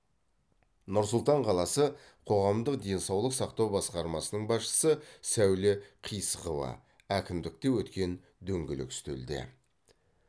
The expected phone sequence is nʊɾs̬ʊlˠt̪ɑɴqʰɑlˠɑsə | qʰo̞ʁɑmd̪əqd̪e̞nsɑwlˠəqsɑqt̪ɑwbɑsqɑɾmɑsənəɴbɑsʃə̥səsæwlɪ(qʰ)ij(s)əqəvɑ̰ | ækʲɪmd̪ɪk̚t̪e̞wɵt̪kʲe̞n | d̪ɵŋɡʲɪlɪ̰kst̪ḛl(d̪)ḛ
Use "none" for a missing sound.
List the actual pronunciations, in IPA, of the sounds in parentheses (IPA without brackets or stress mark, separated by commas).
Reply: qʰ, s, d̪